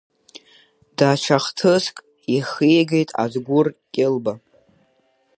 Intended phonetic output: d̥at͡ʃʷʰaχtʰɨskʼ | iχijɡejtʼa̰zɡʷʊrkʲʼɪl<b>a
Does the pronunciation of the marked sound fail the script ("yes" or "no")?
no